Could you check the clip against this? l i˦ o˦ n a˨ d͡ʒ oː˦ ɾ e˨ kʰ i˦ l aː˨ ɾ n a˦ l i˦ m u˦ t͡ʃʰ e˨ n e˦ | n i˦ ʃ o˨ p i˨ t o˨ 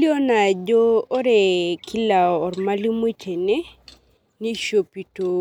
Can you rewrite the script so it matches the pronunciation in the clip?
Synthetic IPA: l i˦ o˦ n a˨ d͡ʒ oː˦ ɾ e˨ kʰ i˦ l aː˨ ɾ m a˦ l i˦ m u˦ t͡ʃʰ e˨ n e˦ | n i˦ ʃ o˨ p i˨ t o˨

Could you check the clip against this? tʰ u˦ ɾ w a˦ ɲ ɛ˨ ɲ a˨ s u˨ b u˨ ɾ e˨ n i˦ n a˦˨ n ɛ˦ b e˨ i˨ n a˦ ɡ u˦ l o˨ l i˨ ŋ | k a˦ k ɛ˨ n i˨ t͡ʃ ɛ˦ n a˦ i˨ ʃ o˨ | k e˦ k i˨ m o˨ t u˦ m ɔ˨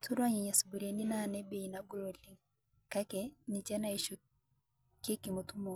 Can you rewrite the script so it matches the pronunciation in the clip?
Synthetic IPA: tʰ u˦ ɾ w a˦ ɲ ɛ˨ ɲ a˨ s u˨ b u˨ ɾ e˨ n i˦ n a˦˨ n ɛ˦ b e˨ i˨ n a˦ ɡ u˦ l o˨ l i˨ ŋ | k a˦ k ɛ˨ n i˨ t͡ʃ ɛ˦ n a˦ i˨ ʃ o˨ | k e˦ k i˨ m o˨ t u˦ m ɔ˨

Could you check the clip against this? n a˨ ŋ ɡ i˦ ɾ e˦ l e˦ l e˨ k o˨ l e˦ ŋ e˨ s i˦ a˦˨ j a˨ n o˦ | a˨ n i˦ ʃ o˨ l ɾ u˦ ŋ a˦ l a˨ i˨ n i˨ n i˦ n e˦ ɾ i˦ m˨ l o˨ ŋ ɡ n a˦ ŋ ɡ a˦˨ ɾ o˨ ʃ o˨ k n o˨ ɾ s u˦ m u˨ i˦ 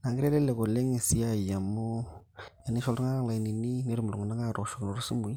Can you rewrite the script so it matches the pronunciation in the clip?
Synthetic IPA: n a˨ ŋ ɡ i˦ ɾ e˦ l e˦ l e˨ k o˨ l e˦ ŋ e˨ s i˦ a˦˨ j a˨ m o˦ | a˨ n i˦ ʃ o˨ l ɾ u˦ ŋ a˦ l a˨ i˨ n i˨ n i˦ n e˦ ɾ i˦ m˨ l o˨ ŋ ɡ n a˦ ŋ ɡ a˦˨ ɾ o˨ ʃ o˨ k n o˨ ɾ s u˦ m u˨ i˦

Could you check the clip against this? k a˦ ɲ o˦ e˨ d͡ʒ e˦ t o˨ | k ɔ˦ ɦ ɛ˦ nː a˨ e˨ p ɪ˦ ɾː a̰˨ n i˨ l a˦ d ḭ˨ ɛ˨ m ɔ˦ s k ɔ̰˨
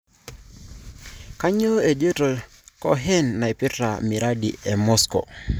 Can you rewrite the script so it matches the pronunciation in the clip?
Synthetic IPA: k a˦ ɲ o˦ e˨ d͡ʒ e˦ t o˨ | k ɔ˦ ɦ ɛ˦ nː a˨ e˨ p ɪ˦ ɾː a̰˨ m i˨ ɾ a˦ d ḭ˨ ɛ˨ m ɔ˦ s k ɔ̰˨

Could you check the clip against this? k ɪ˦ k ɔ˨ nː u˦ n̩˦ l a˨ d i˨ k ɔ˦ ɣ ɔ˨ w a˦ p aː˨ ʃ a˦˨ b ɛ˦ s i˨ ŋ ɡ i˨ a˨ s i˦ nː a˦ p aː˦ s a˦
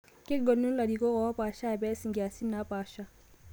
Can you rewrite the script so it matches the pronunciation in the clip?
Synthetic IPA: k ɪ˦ ɡ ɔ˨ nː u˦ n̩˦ l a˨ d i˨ k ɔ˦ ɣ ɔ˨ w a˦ p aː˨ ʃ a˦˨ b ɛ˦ s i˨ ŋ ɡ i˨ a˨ s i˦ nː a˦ p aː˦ ʃ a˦

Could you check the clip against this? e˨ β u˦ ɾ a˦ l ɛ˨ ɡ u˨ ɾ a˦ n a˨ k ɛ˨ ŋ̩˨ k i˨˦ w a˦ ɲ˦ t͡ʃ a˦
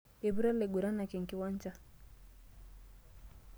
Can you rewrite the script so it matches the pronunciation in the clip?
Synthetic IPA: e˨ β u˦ ɾ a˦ l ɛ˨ ɡ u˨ ɾ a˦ n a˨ k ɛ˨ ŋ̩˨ k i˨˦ w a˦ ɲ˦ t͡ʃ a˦

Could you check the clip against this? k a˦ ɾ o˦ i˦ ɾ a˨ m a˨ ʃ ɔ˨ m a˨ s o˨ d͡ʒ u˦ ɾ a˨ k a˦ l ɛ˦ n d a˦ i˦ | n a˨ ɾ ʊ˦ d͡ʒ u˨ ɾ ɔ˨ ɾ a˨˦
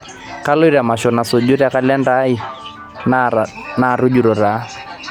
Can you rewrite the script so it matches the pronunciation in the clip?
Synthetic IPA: k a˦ l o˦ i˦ ɾ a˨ m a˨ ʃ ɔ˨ n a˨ s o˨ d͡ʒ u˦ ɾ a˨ k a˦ l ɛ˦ n d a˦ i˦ | n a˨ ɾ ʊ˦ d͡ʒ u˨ ɾ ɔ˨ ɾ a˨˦

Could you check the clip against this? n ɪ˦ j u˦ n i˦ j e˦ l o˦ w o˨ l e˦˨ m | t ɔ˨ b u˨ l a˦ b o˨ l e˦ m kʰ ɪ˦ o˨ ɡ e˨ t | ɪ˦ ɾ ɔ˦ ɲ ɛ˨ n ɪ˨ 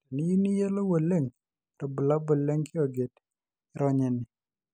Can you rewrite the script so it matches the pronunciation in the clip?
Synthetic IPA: n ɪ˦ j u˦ n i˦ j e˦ l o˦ w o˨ l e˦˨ ŋ | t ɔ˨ b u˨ l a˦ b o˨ l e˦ ŋ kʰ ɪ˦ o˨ ɡ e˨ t | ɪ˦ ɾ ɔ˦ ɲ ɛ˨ n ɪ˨

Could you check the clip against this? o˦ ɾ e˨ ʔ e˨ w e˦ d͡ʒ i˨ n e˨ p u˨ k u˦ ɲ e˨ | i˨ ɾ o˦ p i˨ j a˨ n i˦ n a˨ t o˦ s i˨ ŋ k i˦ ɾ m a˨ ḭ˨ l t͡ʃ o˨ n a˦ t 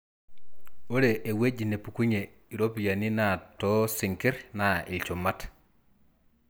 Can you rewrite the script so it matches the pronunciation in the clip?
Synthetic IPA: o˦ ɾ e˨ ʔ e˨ w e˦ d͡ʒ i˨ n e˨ p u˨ k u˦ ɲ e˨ | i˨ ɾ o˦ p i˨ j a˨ n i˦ n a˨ t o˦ s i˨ ŋ k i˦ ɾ n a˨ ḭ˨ l t͡ʃ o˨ m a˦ t

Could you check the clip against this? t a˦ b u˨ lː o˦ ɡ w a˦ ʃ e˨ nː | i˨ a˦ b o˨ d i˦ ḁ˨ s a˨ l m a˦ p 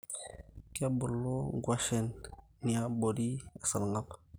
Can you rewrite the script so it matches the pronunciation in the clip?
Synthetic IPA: k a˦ b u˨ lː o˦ ɡ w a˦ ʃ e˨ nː | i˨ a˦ b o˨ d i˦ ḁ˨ s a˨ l ŋ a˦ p

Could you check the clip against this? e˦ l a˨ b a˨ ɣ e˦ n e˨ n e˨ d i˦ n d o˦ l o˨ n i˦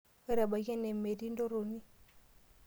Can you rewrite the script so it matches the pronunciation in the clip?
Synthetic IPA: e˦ ɾ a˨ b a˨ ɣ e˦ n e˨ m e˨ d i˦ n d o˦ ɾ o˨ n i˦

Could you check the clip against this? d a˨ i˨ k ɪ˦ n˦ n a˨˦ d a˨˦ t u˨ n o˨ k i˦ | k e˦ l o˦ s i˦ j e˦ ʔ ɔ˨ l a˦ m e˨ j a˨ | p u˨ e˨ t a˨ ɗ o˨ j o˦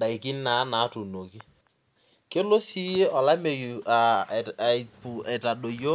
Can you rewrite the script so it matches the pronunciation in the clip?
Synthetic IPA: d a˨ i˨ k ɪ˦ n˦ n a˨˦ n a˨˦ t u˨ n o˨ k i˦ | k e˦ l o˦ s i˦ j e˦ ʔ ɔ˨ l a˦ m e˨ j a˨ | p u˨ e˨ t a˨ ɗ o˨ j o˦

